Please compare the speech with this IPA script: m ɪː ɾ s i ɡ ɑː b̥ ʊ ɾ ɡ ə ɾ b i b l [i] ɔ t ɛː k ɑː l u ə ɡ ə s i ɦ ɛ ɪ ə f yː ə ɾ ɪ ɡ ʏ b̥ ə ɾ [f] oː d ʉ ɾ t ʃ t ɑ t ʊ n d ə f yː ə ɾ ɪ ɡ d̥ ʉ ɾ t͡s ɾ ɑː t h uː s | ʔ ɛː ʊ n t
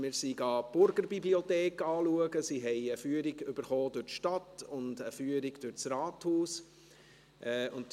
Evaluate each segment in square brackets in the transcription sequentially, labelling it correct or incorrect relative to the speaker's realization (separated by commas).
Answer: correct, incorrect